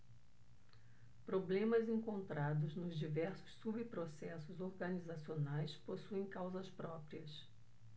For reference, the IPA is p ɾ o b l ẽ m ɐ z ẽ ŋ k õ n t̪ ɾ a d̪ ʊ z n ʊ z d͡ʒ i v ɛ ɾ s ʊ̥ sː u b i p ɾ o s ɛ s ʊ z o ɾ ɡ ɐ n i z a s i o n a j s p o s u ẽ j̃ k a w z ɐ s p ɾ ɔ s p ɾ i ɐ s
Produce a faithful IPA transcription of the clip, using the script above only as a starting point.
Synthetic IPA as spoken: p ɾ o b l ẽ m ɐ z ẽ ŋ k õ n t̪ ɾ a d̪ ʊ z n ʊ z d͡ʒ i v ɛ ɾ s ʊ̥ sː u b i p ɾ o s ɛ s ʊ z o ɾ ɡ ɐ n i z a s i o n a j s p o s u ẽ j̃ k a w z ɐ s p ɾ ɔ p ɾ i ɐ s